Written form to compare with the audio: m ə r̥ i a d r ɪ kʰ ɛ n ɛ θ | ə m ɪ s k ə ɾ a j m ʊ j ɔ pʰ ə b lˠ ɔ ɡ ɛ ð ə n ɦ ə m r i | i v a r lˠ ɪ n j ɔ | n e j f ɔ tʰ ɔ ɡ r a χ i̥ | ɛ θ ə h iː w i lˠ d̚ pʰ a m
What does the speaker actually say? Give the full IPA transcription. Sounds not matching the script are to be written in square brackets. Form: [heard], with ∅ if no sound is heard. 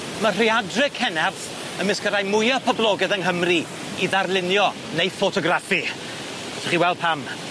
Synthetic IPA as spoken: m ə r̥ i a d r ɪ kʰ ɛ n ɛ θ | ə m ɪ s k ə ɾ a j m ʊ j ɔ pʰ ə b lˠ ɔ ɡ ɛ ð ə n ɦ ə m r i | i [ð] a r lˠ ɪ n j ɔ | n e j f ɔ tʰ ɔ ɡ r a [f] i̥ | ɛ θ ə [χ] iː w [ɛ] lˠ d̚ pʰ a m